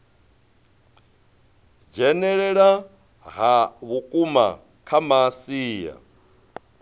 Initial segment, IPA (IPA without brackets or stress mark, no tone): d͡ʒ